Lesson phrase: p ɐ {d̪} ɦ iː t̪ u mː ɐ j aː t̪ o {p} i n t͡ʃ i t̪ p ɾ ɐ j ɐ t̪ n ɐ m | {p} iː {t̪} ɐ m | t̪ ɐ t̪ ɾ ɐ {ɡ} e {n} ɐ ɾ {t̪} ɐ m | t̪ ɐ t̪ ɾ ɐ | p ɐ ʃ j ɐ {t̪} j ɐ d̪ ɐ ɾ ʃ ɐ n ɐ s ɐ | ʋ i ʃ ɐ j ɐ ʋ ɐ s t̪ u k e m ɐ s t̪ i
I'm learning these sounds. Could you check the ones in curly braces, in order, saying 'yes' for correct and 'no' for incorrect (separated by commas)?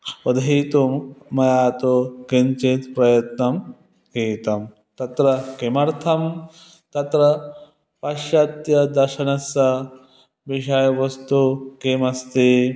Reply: yes, no, no, yes, no, no, no, yes